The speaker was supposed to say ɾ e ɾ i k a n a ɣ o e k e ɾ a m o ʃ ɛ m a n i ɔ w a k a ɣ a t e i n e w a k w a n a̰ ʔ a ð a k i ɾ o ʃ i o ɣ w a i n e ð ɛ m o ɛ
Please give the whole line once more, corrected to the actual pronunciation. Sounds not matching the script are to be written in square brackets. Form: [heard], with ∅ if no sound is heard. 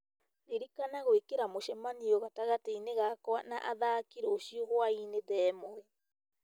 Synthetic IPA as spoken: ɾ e ɾ i k a n a ɣ o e k e ɾ a m o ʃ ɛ m a n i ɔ [ɣ] a [t] a ɣ a t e i n e [ɣ] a k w a n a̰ ʔ a ð a k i ɾ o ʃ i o ɣ w a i n e ð ɛ m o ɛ